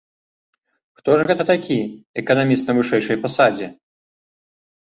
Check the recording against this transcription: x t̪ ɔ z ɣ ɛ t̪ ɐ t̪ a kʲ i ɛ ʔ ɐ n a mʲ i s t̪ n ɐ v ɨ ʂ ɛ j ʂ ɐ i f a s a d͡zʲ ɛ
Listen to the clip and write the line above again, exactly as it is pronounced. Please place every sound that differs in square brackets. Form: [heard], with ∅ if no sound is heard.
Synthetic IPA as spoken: x t̪ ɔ [ʐ] ɣ ɛ t̪ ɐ t̪ a kʲ i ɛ [k] ɐ n a mʲ i s t̪ n ɐ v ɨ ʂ ɛ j ʂ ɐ [j] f a s a d͡zʲ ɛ